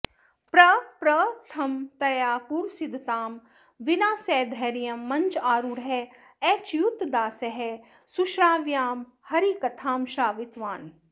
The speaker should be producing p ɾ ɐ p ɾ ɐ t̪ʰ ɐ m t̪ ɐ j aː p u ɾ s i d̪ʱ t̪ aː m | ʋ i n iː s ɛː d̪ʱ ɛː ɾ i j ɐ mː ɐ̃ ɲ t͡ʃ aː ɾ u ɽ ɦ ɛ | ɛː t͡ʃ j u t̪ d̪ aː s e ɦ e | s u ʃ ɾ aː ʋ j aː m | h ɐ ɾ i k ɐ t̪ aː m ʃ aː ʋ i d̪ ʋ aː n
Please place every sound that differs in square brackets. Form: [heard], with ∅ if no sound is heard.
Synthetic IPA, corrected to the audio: p ɾ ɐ p ɾ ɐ t̪ʰ ɐ m t̪ ɐ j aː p u ɾ s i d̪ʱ t̪ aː m | ʋ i n [aː] s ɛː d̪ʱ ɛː ɾ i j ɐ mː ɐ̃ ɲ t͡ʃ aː ɾ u ɽ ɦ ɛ | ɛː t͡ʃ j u t̪ d̪ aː s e ɦ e | s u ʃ ɾ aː ʋ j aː m | h ɐ ɾ i k ɐ [t̪ʰ] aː m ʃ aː ʋ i [t̪] ʋ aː n